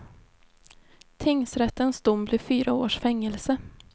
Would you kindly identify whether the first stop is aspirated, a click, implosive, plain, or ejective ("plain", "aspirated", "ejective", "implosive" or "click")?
aspirated